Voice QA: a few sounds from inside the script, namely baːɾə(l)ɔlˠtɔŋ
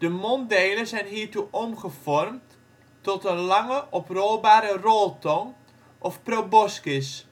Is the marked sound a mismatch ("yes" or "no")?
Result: yes